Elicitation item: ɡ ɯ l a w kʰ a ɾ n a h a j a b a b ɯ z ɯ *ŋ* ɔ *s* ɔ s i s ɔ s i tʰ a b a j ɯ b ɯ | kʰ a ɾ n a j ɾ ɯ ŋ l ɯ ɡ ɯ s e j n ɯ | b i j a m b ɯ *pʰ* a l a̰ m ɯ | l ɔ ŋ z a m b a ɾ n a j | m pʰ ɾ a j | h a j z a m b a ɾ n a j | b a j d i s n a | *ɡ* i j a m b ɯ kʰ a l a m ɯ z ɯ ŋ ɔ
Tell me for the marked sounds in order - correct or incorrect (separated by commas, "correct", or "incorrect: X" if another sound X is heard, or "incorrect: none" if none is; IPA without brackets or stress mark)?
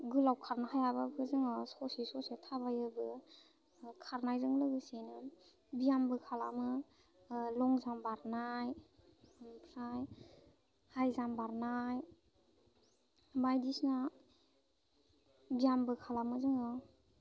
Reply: correct, correct, incorrect: kʰ, incorrect: b